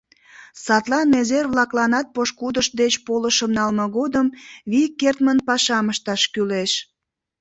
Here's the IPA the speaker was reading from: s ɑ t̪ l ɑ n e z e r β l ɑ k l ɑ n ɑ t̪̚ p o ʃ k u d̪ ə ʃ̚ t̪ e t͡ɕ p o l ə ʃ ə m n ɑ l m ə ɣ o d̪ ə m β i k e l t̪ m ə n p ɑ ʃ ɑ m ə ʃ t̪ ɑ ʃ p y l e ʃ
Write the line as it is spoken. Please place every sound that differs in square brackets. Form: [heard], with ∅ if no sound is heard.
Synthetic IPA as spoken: s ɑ t̪ l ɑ n e z e r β l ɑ k l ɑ n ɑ t̪̚ p o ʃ k u d̪ ə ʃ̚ [d̪] e t͡ɕ p o l ə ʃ ə m n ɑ l m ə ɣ o d̪ ə m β i k e [r] t̪ m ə n p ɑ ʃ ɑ m ə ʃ t̪ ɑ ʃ [k] y l e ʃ